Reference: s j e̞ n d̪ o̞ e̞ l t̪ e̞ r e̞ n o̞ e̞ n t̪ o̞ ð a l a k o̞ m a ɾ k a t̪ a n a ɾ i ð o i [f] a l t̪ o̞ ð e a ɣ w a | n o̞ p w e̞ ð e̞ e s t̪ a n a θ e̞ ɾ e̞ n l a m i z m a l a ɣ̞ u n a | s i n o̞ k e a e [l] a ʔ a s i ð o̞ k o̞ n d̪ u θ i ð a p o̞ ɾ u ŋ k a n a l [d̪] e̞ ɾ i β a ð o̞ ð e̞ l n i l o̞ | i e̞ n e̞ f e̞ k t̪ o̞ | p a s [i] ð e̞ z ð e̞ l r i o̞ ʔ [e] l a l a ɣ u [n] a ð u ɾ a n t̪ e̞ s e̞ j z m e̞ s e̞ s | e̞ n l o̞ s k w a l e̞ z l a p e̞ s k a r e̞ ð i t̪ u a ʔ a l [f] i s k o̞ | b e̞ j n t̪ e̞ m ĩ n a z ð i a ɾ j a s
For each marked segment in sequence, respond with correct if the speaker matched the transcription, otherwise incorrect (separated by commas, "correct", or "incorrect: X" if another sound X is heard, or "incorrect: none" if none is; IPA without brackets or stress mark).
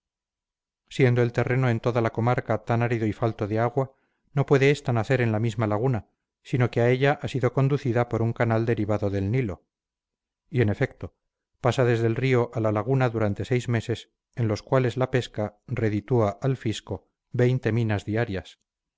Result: correct, incorrect: ʎ, correct, incorrect: a, incorrect: a, correct, correct